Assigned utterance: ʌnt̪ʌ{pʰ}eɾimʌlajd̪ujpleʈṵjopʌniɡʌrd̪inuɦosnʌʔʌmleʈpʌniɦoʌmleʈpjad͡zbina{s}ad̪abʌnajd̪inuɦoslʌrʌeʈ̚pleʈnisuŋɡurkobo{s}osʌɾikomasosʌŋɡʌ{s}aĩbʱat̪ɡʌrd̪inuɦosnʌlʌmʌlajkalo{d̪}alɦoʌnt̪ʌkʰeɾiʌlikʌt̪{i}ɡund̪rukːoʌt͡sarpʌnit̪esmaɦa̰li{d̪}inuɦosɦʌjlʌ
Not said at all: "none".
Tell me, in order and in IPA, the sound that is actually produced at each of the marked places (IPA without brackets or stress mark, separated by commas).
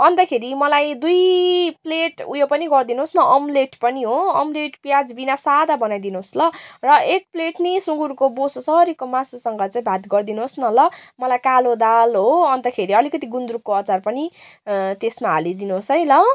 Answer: kʰ, s, s, t͡s, d̪, i, d̪